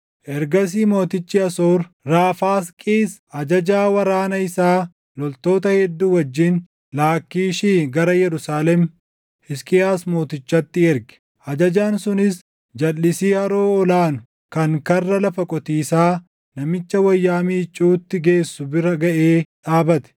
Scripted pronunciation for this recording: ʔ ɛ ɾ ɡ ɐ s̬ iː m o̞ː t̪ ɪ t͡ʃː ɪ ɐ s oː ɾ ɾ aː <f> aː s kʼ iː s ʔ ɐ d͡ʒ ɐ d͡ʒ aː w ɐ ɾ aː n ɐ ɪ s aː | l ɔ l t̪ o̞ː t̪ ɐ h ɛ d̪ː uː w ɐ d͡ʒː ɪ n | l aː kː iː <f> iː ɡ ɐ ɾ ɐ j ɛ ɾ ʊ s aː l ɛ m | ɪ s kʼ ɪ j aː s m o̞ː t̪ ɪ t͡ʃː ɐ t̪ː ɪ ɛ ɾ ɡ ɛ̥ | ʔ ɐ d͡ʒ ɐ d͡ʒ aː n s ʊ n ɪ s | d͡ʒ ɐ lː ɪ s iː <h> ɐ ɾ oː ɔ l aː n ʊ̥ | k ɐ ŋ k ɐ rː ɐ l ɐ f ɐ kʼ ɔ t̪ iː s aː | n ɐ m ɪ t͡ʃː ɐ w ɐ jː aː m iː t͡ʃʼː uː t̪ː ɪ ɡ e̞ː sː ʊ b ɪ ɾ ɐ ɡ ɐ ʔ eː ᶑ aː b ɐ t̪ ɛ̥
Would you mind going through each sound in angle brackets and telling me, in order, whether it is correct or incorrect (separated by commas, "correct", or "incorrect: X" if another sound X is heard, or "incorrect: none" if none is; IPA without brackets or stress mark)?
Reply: correct, incorrect: ʃ, correct